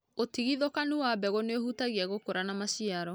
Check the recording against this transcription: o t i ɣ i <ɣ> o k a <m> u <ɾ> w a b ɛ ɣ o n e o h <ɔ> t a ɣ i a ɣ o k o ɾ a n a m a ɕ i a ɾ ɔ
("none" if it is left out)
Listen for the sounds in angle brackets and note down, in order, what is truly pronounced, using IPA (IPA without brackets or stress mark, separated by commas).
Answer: ð, n, none, u